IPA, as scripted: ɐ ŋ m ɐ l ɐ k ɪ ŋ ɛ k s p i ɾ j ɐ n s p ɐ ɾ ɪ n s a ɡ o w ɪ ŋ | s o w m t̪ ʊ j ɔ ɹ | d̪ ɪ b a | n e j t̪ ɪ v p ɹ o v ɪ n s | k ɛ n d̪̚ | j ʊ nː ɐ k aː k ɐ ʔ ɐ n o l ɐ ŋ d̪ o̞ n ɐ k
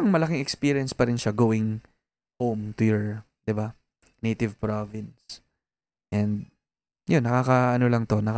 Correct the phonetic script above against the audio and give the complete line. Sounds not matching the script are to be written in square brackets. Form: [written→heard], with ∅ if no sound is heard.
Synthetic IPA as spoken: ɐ ŋ m ɐ l ɐ k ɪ ŋ ɛ k s p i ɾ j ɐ n s p ɐ ɾ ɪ n [s→ʃ] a ɡ o w ɪ ŋ | [s→h] o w m t̪ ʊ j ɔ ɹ | d̪ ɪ b a | n e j t̪ ɪ v p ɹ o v ɪ n s | [k→ʔ] ɛ n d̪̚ | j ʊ nː ɐ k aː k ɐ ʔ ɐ n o l ɐ ŋ [d̪→t̪] o̞ n ɐ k